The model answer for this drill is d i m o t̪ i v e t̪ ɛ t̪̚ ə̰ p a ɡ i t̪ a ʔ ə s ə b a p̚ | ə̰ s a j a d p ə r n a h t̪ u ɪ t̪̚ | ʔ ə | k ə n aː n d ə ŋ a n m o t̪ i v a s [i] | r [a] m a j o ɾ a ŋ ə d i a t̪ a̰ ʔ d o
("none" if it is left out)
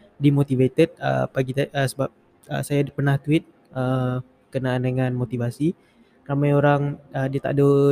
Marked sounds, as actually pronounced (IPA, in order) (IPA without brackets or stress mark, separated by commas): i, a